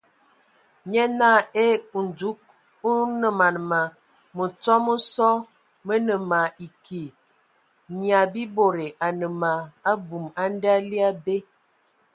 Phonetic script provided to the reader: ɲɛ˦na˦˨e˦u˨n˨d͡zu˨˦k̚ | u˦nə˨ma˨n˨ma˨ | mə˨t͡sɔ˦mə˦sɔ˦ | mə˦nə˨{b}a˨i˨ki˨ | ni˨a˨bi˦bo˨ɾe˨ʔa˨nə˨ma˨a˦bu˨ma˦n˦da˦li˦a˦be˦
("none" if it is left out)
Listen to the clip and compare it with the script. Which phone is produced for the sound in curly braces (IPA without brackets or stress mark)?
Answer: m